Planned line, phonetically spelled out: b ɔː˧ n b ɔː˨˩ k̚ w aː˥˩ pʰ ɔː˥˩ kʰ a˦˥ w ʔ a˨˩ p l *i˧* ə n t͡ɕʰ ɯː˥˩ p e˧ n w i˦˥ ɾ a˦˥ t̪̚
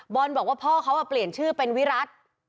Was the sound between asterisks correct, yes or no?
no